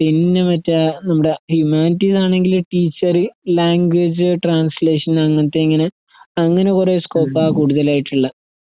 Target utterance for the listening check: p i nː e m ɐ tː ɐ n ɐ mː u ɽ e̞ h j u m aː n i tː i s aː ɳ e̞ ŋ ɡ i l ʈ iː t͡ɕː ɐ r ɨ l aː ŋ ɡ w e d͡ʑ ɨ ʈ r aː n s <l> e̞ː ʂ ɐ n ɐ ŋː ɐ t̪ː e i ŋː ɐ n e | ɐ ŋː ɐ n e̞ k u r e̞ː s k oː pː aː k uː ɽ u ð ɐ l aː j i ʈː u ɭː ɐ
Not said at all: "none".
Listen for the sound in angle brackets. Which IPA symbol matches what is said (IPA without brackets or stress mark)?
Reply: l